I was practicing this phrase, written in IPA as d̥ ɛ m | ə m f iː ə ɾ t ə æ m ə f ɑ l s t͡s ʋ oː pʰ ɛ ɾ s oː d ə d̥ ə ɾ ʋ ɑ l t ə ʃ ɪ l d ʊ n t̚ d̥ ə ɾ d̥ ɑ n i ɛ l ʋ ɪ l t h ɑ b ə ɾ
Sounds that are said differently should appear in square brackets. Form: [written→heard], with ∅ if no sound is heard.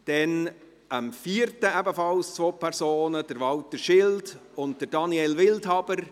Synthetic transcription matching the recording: d̥ ɛ [m→n] | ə m f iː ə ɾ t ə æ [m→b] ə f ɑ l s t͡s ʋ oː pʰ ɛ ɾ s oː [d→n] ə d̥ ə ɾ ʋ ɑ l t ə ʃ ɪ l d ʊ n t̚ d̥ ə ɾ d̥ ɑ n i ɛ l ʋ ɪ l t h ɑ b ə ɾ